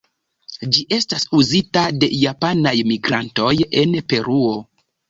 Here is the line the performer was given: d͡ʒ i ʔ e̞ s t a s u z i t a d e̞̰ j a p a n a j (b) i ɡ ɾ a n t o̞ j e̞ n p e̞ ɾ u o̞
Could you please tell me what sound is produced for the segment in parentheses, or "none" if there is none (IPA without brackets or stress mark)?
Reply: m